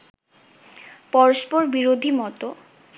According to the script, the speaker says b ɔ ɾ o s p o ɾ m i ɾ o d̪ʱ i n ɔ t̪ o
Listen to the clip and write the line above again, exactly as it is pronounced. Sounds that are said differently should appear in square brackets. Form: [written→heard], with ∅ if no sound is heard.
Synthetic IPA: [b→p] ɔ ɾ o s p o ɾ [m→b] i ɾ o d̪ʱ i [n→m] ɔ t̪ o